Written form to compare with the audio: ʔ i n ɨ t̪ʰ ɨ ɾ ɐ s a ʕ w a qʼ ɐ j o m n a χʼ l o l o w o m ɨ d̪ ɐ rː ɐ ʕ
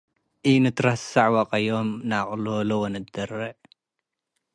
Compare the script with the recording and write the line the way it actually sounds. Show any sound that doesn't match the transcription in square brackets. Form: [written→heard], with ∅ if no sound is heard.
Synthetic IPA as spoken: ʔ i n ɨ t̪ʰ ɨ ɾ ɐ s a ʕ w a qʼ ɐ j o m n a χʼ l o l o w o [m→n] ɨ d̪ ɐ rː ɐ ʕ